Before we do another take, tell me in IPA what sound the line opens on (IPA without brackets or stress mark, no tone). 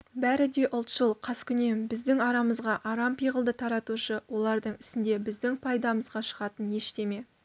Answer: b